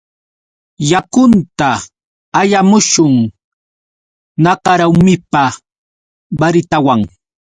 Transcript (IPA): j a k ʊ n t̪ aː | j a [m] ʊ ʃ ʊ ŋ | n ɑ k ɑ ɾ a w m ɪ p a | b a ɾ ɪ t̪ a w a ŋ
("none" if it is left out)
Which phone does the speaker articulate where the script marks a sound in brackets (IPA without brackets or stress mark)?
m